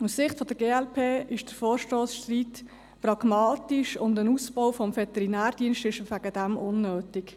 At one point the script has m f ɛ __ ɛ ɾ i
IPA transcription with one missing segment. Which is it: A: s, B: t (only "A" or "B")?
B